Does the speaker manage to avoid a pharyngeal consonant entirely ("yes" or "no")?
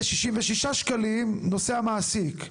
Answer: yes